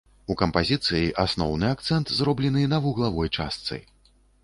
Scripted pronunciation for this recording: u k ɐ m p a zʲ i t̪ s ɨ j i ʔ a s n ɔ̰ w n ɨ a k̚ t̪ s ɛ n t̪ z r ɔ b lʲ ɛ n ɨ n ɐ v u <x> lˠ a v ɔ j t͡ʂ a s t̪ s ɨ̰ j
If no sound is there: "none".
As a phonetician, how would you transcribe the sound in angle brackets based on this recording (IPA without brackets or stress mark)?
ɣ